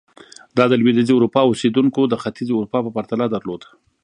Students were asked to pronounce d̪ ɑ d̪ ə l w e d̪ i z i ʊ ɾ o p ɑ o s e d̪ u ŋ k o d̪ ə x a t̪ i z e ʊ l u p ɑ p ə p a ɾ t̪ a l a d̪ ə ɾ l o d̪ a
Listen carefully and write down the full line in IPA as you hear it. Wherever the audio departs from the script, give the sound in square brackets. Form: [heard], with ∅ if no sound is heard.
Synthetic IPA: d̪ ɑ d̪ ə l w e d̪ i z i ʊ ɾ [u] p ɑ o s e d̪ u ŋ k o d̪ ə x a t̪ i z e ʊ [ɾ] u p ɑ p ə p a ɾ t̪ a l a d̪ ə ɾ l o d̪ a